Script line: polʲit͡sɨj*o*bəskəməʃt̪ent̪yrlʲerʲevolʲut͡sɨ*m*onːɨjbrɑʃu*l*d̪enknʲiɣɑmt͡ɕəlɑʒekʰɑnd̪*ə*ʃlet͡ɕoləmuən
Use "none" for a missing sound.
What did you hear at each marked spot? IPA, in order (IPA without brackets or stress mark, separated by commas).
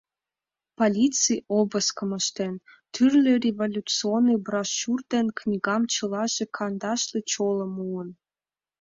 o, none, r, ɑ